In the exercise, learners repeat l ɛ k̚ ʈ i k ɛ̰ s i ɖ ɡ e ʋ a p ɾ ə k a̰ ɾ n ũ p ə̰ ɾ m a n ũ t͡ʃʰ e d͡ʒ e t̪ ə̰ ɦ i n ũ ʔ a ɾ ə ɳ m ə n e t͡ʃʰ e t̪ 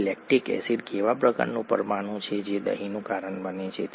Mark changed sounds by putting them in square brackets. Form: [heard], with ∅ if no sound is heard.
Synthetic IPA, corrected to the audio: l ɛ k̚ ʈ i k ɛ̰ s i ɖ [k] e ʋ a p ɾ ə k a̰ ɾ n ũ p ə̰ ɾ m a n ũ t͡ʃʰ e d͡ʒ e [d̪] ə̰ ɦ i n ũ [k] a ɾ ə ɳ [b] ə n e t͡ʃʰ e t̪